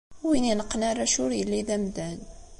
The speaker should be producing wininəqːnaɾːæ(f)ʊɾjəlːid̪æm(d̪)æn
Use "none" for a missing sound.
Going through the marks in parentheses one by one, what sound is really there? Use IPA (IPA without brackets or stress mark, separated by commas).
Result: ʃ, d̪